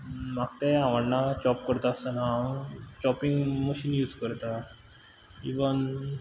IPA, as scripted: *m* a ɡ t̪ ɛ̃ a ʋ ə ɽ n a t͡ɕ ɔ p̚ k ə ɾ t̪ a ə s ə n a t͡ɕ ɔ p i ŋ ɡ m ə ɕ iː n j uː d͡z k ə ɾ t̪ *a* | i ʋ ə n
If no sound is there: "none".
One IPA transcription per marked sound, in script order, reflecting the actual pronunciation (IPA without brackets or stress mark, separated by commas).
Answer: m, a